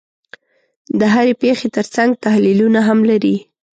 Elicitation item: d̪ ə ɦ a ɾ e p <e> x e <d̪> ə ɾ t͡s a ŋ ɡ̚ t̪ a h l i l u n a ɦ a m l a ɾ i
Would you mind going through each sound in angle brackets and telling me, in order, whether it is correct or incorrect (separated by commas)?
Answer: correct, incorrect